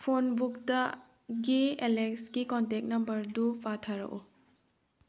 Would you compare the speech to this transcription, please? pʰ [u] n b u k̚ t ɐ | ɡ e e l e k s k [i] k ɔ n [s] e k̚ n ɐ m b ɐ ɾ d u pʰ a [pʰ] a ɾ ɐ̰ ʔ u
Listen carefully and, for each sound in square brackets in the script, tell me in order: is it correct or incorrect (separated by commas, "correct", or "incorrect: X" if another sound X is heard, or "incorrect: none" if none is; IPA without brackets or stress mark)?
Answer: incorrect: o, correct, incorrect: t, incorrect: tʰ